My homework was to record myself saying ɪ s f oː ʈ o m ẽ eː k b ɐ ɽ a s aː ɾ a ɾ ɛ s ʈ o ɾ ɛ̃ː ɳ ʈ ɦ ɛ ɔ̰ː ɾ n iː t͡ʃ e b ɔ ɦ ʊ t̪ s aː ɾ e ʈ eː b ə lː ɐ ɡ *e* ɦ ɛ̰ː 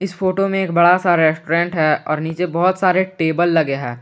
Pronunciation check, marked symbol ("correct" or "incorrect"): correct